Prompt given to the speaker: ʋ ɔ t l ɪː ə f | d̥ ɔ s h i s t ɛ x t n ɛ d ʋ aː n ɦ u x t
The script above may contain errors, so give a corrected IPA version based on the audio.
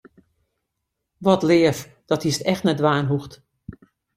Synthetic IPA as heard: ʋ ɔ t l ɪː ə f | d̥ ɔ t h i s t ɛ x t n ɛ d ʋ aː n ɦ u x t